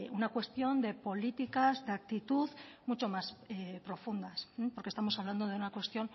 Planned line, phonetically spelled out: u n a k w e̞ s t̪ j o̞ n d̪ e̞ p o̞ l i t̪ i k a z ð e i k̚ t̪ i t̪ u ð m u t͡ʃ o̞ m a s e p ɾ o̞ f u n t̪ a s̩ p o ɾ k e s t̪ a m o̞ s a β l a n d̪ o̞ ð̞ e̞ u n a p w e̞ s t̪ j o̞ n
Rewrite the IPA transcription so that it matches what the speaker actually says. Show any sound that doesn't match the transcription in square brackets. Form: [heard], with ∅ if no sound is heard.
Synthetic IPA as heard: u n a k w e̞ s t̪ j o̞ n d̪ e̞ p o̞ l i t̪ i k a z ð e [a] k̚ t̪ i t̪ u ð m u t͡ʃ o̞ m a s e p ɾ o̞ f u n [d̪] a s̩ p o ɾ k e s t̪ a m o̞ s a β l a n d̪ o̞ ð̞ e̞ u n a [k] w e̞ s t̪ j o̞ n